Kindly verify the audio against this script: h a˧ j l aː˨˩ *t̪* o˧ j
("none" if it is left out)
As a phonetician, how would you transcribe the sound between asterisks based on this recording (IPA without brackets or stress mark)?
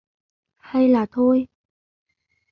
t̪ʰ